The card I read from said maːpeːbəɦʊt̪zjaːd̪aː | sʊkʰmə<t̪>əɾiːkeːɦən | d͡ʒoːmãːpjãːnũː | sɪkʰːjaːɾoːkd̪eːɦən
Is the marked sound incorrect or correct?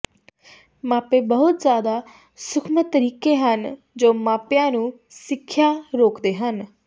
correct